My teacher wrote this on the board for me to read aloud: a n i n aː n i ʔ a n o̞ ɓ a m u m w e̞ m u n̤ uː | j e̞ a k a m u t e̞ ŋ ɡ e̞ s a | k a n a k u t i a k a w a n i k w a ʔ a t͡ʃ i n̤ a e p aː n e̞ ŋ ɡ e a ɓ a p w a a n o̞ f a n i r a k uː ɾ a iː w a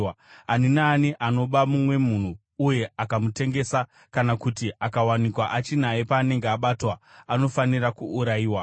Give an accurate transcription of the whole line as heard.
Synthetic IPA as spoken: a n i n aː n i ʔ a n o̞ ɓ a m u m w e̞ m u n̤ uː | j e̞ a k a m u t e̞ ŋ ɡ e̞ s a | k a n a k u t i a k a w a n i k w a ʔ a t͡ʃ i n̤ a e p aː n e̞ ŋ ɡ e a ɓ a t w a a n o̞ f a n i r a k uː ɾ a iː w a